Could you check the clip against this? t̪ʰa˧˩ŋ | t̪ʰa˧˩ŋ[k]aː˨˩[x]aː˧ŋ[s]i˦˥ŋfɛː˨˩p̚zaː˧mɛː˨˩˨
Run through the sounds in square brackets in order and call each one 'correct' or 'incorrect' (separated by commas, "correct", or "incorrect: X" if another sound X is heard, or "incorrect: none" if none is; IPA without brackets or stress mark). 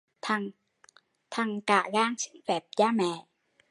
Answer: correct, incorrect: ɣ, correct